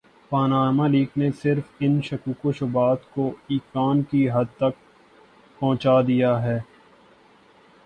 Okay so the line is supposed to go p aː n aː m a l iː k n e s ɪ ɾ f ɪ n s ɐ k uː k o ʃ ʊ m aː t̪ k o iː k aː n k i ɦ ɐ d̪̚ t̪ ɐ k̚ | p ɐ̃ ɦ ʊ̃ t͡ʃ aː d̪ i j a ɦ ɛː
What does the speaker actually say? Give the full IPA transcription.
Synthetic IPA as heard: p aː n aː m a l iː k n e s ɪ ɾ f ɪ n ʃ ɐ k uː k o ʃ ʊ b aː t̪ k o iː k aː n k i ɦ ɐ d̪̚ t̪ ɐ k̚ | p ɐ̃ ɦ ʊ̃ t͡ʃ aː d̪ i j a ɦ ɛː